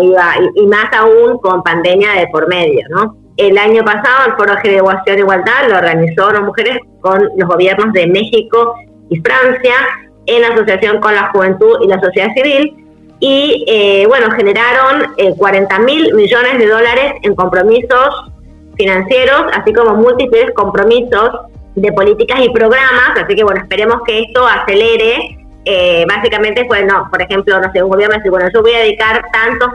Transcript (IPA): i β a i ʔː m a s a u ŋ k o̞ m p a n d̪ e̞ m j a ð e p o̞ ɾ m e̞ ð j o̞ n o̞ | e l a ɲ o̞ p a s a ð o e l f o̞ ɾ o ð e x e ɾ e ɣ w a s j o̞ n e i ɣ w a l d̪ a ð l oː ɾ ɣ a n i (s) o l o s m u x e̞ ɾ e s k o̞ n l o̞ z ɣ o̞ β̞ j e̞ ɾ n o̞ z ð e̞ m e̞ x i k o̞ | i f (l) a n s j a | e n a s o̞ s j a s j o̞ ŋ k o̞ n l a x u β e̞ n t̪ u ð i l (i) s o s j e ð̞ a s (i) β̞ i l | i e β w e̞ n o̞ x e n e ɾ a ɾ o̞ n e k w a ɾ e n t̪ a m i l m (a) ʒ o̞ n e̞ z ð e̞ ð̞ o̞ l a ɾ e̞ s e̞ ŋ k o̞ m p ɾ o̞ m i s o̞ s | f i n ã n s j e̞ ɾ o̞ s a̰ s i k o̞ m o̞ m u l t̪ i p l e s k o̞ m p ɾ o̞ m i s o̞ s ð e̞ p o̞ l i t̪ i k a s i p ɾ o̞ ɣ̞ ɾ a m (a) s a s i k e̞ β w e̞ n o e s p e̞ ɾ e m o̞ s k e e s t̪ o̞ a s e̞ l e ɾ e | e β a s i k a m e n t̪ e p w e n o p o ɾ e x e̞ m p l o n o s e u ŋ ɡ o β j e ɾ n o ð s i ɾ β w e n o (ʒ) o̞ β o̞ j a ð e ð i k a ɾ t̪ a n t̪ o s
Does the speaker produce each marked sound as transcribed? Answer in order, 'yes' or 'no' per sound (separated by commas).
yes, no, no, yes, no, yes, yes